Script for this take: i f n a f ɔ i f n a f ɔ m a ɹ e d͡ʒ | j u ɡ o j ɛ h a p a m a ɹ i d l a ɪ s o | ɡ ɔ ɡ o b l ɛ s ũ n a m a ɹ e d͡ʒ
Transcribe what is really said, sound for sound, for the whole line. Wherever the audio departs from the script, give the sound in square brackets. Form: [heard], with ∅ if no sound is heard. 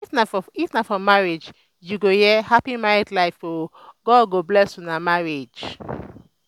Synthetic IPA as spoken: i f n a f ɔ i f n a f ɔ m a ɹ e d͡ʒ | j u ɡ o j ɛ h a p [i] m a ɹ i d l a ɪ [f] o | ɡ ɔ ɡ o b l ɛ s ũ n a m a ɹ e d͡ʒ